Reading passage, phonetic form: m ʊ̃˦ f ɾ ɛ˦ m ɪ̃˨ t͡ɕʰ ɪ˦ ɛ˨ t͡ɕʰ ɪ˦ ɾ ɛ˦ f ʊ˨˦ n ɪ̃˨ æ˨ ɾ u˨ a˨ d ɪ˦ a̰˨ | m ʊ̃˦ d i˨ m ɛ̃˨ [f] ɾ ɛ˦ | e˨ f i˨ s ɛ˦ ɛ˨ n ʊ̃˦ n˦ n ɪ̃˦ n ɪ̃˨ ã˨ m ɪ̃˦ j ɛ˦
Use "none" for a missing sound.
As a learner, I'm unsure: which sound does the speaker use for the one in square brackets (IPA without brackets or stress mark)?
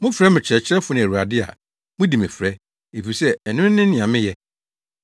f